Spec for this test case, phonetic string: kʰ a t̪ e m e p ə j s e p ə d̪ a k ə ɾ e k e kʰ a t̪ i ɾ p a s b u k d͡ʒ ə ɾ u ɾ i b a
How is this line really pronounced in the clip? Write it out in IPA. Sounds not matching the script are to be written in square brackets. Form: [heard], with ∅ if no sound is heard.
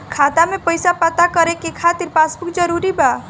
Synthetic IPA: kʰ a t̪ [a] m e p ə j s [a] p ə [t̪] a k ə ɾ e k e kʰ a t̪ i ɾ p a s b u k d͡ʒ ə ɾ u ɾ i b a